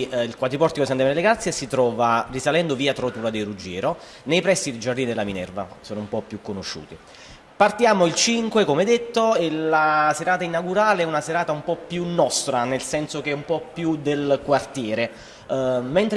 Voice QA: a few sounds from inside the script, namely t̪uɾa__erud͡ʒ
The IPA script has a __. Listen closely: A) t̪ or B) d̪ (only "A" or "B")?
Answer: B